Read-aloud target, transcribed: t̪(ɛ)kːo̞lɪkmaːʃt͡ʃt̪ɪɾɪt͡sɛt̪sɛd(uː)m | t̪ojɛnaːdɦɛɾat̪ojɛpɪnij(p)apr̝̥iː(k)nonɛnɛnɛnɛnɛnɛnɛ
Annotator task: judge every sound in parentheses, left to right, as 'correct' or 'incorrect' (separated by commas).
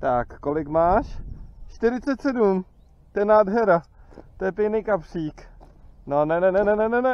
incorrect, incorrect, incorrect, correct